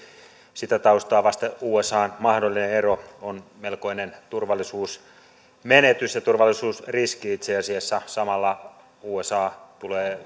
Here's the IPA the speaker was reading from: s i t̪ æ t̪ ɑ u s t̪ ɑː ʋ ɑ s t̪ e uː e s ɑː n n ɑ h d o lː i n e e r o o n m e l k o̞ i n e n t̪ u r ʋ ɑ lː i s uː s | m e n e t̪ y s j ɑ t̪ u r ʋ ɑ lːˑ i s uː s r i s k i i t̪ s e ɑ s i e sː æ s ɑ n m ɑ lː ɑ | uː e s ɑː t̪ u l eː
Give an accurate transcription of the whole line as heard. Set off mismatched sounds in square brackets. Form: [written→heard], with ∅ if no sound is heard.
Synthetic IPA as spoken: s i t̪ æ t̪ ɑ u s t̪ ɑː ʋ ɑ s t̪ e uː e s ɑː n [n→m] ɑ h d o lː i n e e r o o n m e l k o̞ i n e n t̪ u r ʋ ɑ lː i s uː s | m e n e t̪ y s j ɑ t̪ u r ʋ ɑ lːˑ i s uː s r i s k i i t̪ s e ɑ s i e sː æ s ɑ [n→∅] m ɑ lː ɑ | uː e s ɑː t̪ u l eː